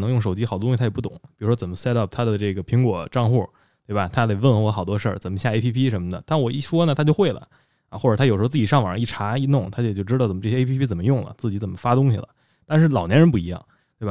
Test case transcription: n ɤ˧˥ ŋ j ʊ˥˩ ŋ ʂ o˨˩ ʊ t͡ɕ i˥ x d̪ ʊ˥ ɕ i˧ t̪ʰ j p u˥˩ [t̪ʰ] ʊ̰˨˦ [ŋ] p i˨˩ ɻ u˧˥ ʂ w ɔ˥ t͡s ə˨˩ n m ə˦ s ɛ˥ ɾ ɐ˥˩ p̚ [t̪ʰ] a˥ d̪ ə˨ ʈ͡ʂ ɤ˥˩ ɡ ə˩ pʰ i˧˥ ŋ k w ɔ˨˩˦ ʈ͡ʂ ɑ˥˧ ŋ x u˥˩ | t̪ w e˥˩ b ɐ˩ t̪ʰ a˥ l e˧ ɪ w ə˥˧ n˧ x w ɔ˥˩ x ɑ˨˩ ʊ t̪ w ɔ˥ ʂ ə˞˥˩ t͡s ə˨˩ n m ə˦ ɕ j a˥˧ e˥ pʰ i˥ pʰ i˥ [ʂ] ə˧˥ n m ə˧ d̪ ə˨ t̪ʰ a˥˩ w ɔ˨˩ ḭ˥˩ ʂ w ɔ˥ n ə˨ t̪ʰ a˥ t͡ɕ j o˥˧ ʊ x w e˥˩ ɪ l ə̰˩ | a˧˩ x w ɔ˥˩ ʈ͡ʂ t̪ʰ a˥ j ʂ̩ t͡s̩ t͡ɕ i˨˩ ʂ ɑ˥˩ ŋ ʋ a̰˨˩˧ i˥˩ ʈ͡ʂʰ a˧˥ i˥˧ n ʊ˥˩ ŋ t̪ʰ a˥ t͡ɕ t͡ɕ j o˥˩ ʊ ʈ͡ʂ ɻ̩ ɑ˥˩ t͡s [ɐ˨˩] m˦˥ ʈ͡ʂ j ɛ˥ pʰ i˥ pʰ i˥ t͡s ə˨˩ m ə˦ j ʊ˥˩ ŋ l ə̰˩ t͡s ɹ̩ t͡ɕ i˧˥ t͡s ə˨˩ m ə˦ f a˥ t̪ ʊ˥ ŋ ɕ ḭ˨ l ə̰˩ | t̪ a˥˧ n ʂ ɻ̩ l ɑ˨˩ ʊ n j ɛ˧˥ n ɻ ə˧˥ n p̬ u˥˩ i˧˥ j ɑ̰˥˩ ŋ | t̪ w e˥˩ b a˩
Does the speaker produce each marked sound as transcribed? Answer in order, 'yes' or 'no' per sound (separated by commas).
no, yes, yes, yes, no